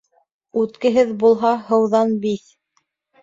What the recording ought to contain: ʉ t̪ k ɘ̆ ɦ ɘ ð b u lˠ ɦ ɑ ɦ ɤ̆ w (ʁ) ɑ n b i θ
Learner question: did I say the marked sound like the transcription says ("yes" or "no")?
no